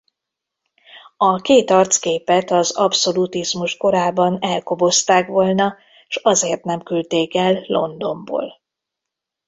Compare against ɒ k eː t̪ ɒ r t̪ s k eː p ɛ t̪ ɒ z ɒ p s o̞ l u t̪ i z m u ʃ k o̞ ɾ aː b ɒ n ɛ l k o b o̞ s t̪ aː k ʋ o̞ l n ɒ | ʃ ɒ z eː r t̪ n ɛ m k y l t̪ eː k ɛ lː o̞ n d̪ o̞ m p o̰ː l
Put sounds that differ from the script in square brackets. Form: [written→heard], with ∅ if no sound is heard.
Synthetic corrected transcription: ɒ k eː t̪ ɒ r t̪ s k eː p ɛ t̪ ɒ z ɒ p s o̞ l u t̪ i z m u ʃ k o̞ ɾ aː b ɒ n ɛ l k o b o̞ s t̪ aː k ʋ o̞ l n ɒ | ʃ ɒ z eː r t̪ n ɛ m k y l t̪ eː k ɛ lː o̞ n d̪ o̞ m [p→b] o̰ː l